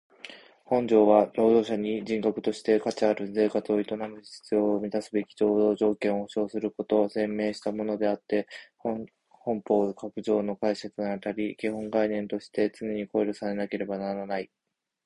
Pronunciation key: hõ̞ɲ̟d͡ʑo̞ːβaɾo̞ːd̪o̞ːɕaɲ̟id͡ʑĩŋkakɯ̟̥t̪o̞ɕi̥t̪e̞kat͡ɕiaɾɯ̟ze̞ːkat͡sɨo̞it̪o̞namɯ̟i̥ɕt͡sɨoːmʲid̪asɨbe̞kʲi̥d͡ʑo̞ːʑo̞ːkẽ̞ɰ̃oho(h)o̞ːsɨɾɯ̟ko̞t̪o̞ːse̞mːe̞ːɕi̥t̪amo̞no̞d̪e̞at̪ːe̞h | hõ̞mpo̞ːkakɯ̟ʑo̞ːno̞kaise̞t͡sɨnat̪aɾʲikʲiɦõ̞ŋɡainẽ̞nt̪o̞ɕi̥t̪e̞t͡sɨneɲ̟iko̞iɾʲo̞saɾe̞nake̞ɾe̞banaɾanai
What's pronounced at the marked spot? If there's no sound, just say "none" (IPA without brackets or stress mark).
ɕ